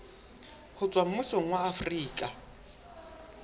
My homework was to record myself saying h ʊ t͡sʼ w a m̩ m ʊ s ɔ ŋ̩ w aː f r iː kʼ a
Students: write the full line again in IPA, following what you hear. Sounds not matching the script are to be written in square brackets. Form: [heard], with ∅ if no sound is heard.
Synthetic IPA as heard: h ʊ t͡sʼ w a m̩ m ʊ s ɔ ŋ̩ w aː f r iː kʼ a